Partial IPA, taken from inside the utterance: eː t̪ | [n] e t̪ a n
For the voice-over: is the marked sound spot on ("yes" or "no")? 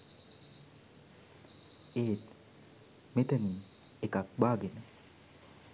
no